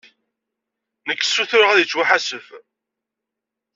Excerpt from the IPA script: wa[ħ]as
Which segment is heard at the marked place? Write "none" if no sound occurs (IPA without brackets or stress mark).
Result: ħ